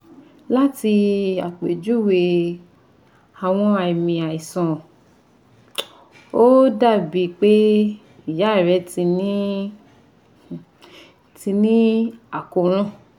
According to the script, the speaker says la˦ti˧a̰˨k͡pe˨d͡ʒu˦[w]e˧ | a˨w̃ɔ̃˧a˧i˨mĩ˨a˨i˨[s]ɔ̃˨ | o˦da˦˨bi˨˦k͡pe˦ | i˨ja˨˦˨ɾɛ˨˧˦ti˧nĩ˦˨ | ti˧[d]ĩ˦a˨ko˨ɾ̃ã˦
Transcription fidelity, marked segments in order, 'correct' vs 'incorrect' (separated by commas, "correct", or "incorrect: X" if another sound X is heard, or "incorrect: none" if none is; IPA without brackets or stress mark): correct, correct, incorrect: n